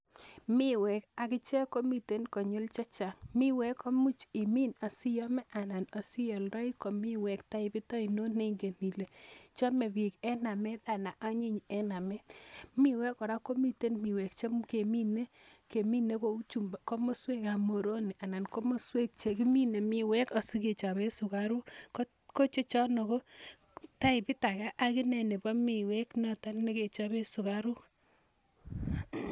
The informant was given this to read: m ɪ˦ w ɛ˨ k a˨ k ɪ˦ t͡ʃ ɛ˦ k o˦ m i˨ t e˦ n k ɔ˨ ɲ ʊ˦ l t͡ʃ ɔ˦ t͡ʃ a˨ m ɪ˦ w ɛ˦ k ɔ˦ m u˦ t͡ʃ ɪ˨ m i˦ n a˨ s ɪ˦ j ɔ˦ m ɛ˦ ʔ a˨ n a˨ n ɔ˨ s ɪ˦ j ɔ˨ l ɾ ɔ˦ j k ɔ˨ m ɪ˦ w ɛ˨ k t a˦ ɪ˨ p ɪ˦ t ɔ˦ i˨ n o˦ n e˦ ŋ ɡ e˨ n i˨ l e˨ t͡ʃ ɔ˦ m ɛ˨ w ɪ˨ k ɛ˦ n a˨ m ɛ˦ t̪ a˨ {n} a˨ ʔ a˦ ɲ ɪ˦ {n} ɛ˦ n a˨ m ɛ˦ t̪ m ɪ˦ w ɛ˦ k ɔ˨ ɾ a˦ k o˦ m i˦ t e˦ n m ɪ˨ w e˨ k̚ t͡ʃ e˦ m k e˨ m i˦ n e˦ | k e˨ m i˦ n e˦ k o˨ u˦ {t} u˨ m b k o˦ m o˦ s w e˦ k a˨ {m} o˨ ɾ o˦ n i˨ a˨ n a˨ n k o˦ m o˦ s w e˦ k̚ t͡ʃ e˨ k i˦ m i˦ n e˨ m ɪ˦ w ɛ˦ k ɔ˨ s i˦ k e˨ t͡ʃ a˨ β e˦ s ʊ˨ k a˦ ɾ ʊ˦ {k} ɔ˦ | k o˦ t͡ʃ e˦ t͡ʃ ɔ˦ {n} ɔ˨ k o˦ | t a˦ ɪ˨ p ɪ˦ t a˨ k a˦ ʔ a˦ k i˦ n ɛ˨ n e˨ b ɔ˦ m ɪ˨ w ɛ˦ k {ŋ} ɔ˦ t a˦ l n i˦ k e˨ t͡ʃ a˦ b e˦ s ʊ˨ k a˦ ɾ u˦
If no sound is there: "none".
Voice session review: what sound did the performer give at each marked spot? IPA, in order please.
n, ɲ, t͡ʃ, m, k, n, n

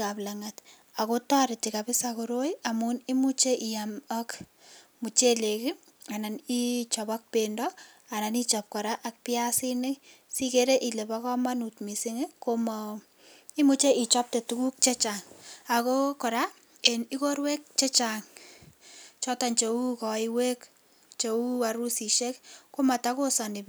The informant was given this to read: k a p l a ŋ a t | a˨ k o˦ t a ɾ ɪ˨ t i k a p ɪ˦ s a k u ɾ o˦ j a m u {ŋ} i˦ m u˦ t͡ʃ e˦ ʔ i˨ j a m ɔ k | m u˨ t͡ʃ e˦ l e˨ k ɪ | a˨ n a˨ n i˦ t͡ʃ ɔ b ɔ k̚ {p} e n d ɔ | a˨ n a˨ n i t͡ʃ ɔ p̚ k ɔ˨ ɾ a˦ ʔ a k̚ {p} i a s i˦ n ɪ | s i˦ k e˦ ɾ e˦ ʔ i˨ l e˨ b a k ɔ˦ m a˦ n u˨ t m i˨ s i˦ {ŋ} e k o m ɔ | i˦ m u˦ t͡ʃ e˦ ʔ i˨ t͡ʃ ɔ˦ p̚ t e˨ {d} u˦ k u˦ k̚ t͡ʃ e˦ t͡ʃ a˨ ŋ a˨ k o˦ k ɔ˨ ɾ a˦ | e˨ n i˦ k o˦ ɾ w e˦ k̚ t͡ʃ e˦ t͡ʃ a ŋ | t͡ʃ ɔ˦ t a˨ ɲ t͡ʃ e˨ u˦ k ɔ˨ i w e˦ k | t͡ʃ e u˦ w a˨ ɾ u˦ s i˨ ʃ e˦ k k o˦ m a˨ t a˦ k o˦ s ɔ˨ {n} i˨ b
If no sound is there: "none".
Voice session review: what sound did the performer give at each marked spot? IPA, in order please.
n, p, p, ŋ, t, n

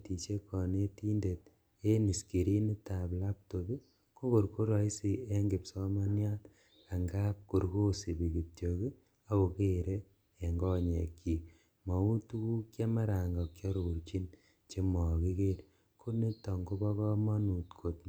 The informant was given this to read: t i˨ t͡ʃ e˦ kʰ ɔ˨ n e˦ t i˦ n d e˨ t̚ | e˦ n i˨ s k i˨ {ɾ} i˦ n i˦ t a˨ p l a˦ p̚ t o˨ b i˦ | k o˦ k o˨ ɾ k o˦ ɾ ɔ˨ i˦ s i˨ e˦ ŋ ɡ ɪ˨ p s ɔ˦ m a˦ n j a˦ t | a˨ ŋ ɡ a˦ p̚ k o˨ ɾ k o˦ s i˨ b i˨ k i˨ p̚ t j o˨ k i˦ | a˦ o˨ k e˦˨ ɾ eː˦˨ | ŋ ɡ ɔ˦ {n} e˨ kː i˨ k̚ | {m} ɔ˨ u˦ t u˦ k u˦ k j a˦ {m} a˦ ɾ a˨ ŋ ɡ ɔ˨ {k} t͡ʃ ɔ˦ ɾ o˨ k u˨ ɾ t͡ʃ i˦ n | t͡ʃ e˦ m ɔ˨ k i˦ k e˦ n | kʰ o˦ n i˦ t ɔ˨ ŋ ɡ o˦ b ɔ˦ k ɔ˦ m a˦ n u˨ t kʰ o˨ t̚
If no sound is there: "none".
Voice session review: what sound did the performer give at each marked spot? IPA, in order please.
ɾ, ɲ, m, m, k

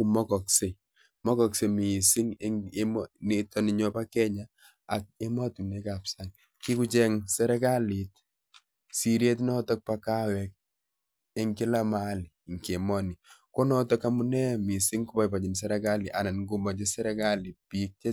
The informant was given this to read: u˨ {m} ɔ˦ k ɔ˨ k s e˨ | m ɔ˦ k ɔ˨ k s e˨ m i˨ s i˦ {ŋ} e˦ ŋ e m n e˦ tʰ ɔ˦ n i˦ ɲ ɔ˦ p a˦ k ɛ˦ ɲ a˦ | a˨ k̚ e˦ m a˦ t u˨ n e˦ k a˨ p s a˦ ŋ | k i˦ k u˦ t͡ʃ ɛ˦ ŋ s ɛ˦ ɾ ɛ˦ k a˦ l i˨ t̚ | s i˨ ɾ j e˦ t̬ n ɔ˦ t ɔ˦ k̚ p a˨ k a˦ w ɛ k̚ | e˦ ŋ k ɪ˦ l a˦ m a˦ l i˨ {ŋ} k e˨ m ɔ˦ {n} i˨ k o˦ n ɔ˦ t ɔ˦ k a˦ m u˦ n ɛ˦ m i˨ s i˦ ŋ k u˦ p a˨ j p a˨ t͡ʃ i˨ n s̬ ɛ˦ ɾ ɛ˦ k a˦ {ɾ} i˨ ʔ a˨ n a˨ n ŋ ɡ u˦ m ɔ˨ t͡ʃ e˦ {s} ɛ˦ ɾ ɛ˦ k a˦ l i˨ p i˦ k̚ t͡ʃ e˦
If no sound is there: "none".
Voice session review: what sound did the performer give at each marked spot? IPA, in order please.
m, ŋ, ŋ, n, l, s

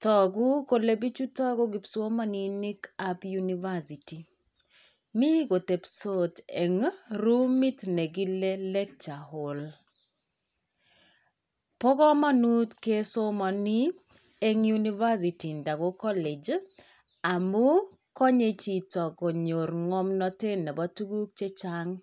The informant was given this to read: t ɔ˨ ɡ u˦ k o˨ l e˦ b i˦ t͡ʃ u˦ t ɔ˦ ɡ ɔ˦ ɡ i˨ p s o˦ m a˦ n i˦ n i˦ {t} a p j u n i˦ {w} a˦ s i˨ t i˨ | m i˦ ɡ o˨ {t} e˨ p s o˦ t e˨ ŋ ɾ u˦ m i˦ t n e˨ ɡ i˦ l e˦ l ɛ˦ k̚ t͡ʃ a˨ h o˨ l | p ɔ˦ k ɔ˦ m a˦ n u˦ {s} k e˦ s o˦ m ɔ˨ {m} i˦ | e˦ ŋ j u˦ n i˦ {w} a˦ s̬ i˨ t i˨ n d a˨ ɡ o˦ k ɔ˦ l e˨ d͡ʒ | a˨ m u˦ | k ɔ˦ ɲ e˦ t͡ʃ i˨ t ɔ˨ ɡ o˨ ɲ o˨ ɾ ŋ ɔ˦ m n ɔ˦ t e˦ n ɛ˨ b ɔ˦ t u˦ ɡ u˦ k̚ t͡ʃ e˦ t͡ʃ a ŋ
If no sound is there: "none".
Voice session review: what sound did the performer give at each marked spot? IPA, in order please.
k, v, t, t, n, v

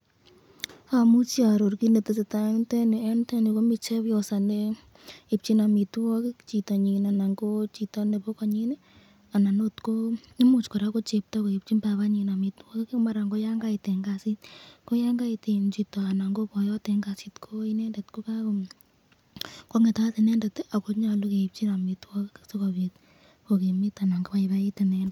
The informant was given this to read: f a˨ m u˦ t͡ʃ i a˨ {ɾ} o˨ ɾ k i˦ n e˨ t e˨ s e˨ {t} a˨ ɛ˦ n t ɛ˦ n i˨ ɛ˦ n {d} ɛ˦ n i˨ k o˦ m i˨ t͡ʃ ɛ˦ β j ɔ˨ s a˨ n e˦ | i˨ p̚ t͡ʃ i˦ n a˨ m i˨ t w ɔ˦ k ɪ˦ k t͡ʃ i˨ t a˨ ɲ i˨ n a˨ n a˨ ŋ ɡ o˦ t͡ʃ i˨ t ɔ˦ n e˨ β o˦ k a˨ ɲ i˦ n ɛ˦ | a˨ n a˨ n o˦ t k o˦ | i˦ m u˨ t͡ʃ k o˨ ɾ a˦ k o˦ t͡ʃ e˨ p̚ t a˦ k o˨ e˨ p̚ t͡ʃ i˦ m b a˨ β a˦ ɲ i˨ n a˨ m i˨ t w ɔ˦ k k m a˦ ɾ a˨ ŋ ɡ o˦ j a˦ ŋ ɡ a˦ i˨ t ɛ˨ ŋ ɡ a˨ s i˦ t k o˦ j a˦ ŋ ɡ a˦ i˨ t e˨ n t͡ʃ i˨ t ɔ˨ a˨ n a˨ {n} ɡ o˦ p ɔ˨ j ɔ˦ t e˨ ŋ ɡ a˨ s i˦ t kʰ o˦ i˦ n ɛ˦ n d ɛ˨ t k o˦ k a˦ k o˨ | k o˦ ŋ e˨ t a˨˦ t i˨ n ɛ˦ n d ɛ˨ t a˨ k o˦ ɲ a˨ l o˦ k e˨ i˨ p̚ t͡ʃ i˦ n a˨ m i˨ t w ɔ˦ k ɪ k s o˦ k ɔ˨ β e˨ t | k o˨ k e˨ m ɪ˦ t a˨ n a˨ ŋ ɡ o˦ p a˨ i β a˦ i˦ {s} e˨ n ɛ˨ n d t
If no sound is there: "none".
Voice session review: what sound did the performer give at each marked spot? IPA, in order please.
ɾ, t, t, ŋ, t

